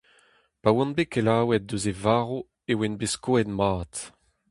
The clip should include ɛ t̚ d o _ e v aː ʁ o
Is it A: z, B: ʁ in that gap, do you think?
A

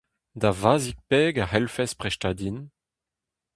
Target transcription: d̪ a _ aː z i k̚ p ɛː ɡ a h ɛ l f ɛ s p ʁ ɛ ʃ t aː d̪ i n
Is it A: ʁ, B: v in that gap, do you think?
B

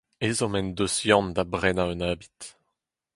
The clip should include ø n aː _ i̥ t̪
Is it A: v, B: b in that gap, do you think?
B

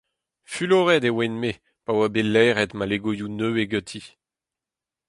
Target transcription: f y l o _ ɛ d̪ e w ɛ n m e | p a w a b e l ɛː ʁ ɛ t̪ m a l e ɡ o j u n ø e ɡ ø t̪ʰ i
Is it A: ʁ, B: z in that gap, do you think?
A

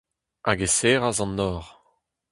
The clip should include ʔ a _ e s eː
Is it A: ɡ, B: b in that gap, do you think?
A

